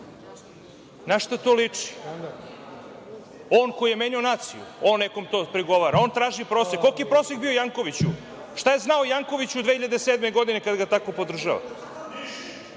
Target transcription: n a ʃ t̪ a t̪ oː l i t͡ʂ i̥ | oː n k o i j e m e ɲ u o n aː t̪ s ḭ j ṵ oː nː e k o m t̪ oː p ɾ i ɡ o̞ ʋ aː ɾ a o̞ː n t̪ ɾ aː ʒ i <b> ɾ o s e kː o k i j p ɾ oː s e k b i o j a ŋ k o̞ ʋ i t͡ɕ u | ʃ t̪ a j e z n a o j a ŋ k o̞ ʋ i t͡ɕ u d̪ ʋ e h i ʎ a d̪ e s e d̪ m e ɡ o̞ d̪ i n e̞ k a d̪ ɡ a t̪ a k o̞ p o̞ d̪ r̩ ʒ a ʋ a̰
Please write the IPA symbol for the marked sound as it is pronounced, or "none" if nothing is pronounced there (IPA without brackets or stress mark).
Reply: p